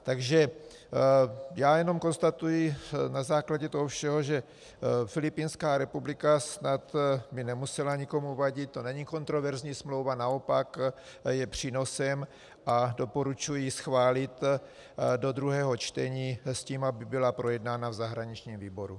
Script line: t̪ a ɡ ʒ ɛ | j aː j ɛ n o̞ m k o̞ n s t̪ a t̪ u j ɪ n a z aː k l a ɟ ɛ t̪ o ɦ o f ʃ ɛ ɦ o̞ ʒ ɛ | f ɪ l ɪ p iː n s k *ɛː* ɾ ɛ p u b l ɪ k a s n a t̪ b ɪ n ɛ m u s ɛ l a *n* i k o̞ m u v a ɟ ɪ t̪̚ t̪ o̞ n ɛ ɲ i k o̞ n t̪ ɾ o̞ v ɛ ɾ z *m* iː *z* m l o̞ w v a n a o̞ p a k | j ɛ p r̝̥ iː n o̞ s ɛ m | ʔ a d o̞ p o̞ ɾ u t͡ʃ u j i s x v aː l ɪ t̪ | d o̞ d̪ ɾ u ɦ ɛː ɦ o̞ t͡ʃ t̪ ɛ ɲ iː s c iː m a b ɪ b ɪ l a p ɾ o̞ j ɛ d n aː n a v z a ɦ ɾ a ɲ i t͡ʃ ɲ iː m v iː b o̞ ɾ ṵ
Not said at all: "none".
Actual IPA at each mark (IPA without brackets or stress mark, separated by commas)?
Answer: aː, ɲ, ɲ, s